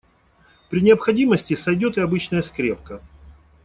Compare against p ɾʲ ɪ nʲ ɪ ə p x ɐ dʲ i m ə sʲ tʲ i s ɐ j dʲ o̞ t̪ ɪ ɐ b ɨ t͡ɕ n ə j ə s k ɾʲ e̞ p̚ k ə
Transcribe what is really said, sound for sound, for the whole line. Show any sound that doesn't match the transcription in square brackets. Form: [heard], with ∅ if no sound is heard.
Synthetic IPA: p ɾʲ ɪ nʲ ɪ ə p x ɐ dʲ i m ə sʲ tʲ [ɪ] s ɐ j dʲ o̞ t̪ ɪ ɐ b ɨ t͡ɕ n ə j ə s k ɾʲ e̞ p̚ k ə